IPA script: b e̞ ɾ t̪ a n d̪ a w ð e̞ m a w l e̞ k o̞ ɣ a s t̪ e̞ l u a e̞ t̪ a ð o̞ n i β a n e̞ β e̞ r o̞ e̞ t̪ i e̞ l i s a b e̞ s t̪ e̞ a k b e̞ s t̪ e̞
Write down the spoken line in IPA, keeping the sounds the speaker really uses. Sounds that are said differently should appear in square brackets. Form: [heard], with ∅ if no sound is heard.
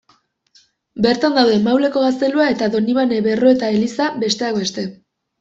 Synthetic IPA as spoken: b e̞ ɾ t̪ a n d̪ a w ð e̞ m a w l e̞ k o̞ ɣ a s t̪ e̞ l u a e̞ t̪ a ð o̞ n i β a n e̞ β e̞ r o̞ e̞ t̪ [a] e̞ l i s a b e̞ s t̪ e̞ a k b e̞ s t̪ e̞